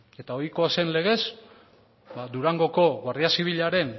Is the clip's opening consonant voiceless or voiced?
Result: voiceless